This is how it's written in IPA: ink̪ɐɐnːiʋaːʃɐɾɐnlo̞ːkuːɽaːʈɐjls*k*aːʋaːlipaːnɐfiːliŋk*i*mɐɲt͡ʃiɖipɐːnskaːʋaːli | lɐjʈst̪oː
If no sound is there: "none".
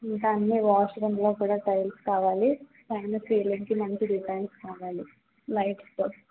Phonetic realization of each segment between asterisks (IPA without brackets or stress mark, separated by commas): k, i